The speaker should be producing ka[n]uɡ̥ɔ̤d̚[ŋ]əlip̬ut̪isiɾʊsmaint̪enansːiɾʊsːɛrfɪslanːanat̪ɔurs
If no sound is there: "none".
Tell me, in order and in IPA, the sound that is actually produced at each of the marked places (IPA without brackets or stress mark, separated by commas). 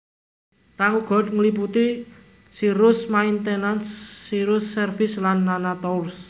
ŋ, ŋ